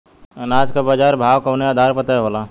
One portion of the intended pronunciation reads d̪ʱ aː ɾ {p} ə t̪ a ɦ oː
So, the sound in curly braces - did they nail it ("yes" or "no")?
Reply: yes